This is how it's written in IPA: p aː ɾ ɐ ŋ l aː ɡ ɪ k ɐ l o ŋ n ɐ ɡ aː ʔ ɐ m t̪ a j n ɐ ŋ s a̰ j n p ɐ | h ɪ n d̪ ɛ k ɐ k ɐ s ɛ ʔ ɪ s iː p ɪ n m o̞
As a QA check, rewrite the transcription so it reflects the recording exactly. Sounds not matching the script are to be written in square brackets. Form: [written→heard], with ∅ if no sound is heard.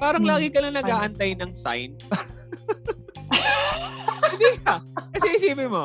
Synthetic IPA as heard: p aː ɾ ɐ ŋ l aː ɡ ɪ k ɐ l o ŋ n ɐ ɡ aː ʔ ɐ [m→n] t̪ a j n ɐ ŋ s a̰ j n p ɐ | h ɪ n d̪ [ɛ→i] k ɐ k ɐ s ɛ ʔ ɪ s iː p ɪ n m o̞